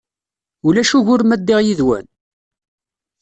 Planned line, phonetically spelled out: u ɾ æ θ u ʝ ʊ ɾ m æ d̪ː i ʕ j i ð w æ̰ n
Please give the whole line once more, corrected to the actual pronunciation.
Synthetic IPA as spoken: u l æ ʃ u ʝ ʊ ɾ m æ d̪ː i ʁ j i ð w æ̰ n